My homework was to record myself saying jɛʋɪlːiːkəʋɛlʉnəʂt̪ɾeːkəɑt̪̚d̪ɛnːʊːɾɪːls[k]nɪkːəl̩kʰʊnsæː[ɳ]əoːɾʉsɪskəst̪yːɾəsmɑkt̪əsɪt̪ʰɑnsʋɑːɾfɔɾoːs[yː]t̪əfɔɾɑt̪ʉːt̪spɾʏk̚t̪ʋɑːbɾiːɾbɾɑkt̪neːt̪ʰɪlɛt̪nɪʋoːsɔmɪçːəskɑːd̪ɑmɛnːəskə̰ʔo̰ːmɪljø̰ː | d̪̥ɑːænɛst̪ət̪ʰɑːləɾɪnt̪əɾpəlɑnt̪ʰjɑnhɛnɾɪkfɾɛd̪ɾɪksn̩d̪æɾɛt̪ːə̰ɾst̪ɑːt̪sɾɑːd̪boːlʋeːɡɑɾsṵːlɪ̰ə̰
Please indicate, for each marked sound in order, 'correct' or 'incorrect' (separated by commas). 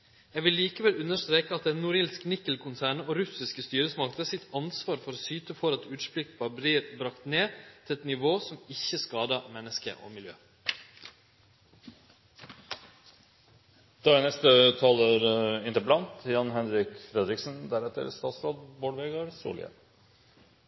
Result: correct, correct, correct